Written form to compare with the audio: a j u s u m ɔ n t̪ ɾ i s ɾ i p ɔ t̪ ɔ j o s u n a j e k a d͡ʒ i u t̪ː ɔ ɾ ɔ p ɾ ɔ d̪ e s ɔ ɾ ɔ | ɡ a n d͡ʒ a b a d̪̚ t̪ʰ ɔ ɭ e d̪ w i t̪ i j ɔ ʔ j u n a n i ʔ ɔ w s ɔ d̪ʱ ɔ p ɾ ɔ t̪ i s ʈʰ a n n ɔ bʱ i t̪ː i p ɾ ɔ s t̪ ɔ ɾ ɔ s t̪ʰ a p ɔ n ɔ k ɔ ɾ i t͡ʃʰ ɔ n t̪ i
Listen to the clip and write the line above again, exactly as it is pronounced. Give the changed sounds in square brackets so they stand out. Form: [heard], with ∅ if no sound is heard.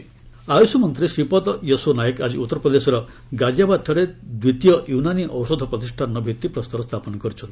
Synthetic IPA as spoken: a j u s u m ɔ n t̪ ɾ i s ɾ i p ɔ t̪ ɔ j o s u n a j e k a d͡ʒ i u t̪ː ɔ ɾ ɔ p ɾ ɔ d̪ e s ɔ ɾ ɔ | ɡ a [∅] d͡ʒ a b a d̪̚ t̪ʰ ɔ [ɽ] e d̪ w i t̪ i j ɔ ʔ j u n a n i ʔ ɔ w s ɔ d̪ʱ ɔ p ɾ ɔ t̪ i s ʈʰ a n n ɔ bʱ i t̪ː i p ɾ ɔ s t̪ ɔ ɾ ɔ s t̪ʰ a p ɔ n ɔ k ɔ ɾ i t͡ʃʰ ɔ n t̪ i

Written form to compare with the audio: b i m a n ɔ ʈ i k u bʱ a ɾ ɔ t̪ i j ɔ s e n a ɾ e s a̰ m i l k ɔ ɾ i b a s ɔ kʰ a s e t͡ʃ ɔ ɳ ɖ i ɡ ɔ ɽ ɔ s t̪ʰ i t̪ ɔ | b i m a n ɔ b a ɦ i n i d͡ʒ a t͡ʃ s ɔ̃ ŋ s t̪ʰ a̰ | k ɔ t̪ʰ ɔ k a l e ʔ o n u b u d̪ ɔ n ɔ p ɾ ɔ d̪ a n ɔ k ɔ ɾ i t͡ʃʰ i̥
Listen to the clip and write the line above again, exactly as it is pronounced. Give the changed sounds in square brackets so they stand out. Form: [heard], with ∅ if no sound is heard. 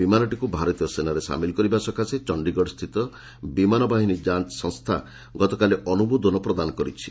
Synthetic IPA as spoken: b i m a n ɔ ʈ i k u bʱ a ɾ ɔ t̪ i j ɔ s e n a ɾ e s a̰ m i l k ɔ ɾ i b a s ɔ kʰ a s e t͡ʃ ɔ ɳ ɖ i ɡ ɔ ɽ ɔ s t̪ʰ i t̪ ɔ | b i m a n ɔ b a ɦ i n i d͡ʒ a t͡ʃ s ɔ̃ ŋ s t̪ʰ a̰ | [ɡ] ɔ [t̪] ɔ k a l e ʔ [ɔ] n u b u d̪ ɔ n ɔ p ɾ ɔ d̪ a n ɔ k ɔ ɾ i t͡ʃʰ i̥

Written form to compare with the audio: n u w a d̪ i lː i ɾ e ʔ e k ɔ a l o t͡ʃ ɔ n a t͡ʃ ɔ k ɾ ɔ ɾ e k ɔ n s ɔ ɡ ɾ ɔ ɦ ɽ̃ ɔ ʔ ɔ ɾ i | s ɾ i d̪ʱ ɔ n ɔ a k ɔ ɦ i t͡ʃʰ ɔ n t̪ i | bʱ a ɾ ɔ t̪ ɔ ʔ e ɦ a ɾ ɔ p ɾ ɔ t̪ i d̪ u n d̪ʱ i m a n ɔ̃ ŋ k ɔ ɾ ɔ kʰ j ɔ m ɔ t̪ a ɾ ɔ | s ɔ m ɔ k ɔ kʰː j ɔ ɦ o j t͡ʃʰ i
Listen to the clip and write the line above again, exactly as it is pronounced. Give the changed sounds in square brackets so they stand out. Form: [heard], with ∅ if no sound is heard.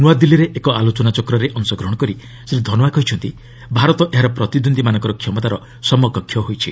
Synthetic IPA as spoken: n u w a d̪ i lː i ɾ e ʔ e k ɔ a l o t͡ʃ ɔ n a t͡ʃ ɔ k ɾ ɔ ɾ e [ʔ] ɔ n s ɔ ɡ ɾ ɔ ɦ ɽ̃ ɔ [k] ɔ ɾ i | s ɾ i d̪ʱ ɔ n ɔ a k ɔ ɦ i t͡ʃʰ ɔ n t̪ i | bʱ a ɾ ɔ t̪ ɔ ʔ e ɦ a ɾ ɔ p ɾ ɔ t̪ i d̪ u n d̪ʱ i m a n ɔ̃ ŋ k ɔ ɾ ɔ kʰ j ɔ m ɔ t̪ a ɾ ɔ | s ɔ m ɔ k ɔ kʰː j ɔ ɦ o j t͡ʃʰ i

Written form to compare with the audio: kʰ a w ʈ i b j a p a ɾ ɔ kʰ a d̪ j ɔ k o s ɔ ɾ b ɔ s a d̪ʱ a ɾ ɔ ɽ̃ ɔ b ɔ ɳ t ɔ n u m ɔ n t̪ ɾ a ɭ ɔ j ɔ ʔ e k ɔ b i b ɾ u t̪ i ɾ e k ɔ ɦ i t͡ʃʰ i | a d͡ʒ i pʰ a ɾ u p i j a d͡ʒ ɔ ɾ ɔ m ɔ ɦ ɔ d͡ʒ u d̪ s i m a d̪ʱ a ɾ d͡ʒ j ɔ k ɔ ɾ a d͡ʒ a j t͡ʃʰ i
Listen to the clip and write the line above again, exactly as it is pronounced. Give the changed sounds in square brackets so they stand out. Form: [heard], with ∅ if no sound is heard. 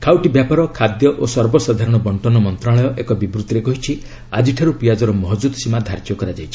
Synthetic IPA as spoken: kʰ a w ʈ i b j a p a ɾ ɔ kʰ a d̪ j ɔ [ʔ] o s ɔ ɾ b ɔ s a d̪ʱ a ɾ ɔ ɽ̃ ɔ b ɔ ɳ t ɔ n [ɔ] m ɔ n t̪ ɾ a ɭ ɔ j ɔ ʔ e k ɔ b i b ɾ u t̪ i ɾ e k ɔ ɦ i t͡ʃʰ i | a d͡ʒ i [ʈʰ] a ɾ u p i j a d͡ʒ ɔ ɾ ɔ m ɔ ɦ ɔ d͡ʒ u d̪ s i m a d̪ʱ a ɾ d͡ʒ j ɔ k ɔ ɾ a d͡ʒ a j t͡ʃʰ i

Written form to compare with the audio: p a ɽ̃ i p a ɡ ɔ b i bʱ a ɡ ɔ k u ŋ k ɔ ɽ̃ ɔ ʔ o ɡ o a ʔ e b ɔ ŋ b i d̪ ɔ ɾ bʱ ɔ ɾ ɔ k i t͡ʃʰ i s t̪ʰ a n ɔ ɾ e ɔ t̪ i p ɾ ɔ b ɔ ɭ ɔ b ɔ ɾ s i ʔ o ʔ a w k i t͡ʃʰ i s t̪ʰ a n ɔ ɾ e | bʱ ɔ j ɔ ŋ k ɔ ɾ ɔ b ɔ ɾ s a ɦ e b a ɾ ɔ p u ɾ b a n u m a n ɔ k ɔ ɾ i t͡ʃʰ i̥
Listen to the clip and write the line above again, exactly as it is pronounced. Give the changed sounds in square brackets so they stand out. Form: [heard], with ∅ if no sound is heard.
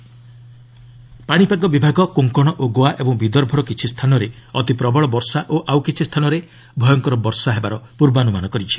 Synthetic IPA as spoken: p a ɽ̃ i p a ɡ ɔ b i bʱ a ɡ ɔ k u ŋ k ɔ ɽ̃ ɔ ʔ o ɡ o a ʔ e b ɔ ŋ b i d̪ ɔ ɾ bʱ ɔ ɾ ɔ k i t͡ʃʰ i s t̪ʰ a n ɔ ɾ e ɔ t̪ i p ɾ ɔ b ɔ ɭ ɔ b ɔ ɾ s [a] ʔ o ʔ a w k i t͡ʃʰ i s t̪ʰ a n ɔ ɾ e | bʱ ɔ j ɔ ŋ k ɔ ɾ ɔ b ɔ ɾ s a ɦ e b a ɾ ɔ p u ɾ b a n u m a n ɔ k ɔ ɾ i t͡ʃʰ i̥

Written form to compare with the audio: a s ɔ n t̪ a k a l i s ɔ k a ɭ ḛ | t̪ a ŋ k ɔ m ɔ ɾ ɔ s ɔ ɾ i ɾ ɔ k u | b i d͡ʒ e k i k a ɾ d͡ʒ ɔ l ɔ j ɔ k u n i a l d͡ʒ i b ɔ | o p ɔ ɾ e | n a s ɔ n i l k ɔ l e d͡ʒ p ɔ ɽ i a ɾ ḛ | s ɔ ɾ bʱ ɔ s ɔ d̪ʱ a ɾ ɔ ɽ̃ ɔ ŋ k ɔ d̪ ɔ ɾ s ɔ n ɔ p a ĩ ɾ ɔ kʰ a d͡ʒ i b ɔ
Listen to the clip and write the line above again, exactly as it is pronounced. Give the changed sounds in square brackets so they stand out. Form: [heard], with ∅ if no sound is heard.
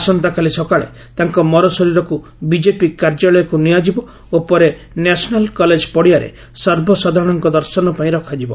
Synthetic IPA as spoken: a s ɔ n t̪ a k a l i s ɔ k a ɭ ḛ | t̪ a ŋ k ɔ m ɔ ɾ ɔ s ɔ ɾ i ɾ ɔ k u | b i d͡ʒ e [p] i k a ɾ d͡ʒ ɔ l ɔ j ɔ k u n i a [∅] d͡ʒ i b ɔ | o p ɔ ɾ e | n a s ɔ n [a] l k ɔ l e d͡ʒ p ɔ ɽ i a ɾ ḛ | s ɔ ɾ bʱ ɔ s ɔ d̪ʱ a ɾ ɔ ɽ̃ ɔ ŋ k ɔ d̪ ɔ ɾ s ɔ n ɔ p a ĩ ɾ ɔ kʰ a d͡ʒ i b ɔ

